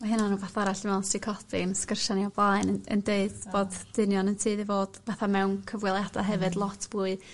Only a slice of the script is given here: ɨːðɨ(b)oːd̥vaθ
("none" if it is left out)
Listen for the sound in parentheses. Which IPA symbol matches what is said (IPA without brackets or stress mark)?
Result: v